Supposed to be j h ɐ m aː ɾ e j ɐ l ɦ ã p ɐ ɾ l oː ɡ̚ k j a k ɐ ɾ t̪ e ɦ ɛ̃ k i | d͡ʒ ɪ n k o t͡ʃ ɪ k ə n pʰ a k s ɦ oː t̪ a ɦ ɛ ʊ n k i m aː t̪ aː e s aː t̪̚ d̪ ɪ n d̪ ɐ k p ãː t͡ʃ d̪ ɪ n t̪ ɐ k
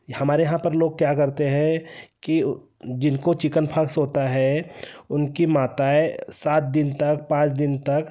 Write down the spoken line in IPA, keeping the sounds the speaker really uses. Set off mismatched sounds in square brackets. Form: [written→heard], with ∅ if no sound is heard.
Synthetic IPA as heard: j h ɐ m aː ɾ e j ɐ [l→∅] ɦ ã p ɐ ɾ l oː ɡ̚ k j a k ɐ ɾ t̪ e ɦ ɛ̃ k i | d͡ʒ ɪ n k o t͡ʃ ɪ k ə n pʰ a k s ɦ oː t̪ a ɦ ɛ ʊ n k i m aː t̪ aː e s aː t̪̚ d̪ ɪ n [d̪→t̪] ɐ k p ãː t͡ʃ d̪ ɪ n t̪ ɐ k